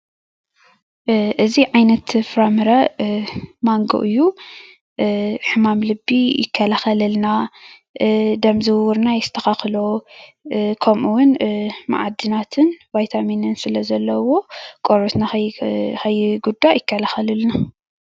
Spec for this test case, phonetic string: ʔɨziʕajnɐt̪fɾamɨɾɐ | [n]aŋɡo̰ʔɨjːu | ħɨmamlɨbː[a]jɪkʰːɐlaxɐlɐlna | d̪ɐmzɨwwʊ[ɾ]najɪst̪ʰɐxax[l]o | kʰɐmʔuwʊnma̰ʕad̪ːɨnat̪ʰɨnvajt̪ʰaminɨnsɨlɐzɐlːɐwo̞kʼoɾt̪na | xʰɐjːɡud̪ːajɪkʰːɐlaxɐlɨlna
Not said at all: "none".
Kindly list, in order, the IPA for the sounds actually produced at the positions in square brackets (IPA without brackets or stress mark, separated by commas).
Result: m, i, ɾ, l